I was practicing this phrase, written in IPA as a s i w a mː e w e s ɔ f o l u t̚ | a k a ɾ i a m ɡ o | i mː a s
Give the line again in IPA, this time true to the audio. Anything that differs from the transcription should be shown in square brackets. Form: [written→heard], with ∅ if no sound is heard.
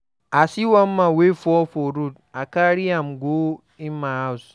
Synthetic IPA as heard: a s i w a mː [e→a] w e [s→f] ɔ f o [l→ɾ] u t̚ | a k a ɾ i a m ɡ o | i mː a s